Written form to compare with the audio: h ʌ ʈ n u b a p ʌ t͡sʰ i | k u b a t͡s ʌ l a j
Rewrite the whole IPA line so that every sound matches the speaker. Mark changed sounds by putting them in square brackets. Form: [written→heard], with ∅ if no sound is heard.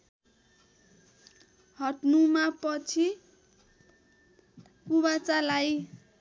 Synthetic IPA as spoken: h ʌ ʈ n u [b→m] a p ʌ t͡sʰ i | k u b a t͡s [ʌ→a] l a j